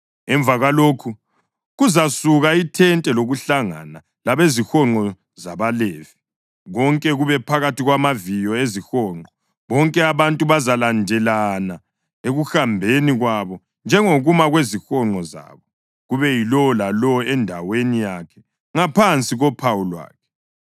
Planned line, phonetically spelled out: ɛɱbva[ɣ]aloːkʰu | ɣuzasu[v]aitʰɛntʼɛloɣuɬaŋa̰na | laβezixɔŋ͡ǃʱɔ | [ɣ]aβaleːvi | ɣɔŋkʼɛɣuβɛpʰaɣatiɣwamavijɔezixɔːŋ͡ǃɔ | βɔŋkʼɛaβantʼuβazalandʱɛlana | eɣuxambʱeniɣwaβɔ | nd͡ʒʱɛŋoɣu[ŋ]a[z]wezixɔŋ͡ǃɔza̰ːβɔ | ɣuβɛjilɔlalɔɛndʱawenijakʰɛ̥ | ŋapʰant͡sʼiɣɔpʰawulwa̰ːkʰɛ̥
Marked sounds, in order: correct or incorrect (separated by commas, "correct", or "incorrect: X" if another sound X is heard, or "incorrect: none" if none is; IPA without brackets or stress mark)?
correct, incorrect: ɣ, incorrect: z, incorrect: m, incorrect: ɣ